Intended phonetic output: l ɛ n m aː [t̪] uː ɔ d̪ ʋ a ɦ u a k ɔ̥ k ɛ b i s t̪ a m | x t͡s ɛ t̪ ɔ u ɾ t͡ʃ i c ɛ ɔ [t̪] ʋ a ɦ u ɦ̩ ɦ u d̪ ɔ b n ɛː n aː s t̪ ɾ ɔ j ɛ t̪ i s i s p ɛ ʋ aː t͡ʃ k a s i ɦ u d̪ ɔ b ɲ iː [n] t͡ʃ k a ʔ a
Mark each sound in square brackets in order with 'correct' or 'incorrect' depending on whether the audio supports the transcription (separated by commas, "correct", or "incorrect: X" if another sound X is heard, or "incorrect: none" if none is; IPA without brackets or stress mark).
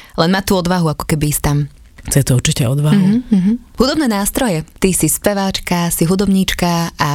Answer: correct, incorrect: d̪, incorrect: none